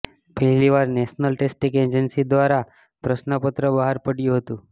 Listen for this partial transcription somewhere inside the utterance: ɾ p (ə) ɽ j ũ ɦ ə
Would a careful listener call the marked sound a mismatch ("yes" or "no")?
no